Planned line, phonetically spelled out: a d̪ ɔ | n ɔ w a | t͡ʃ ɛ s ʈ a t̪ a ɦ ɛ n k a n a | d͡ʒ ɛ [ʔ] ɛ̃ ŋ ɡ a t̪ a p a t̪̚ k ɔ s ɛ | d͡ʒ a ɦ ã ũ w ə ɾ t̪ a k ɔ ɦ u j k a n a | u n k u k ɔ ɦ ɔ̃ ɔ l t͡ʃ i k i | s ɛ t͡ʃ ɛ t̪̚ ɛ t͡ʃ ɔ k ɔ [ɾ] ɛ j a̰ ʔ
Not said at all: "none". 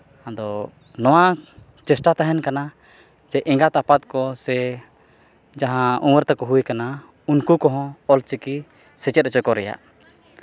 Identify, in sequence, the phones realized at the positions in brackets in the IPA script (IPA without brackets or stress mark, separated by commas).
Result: ʔ, ɾ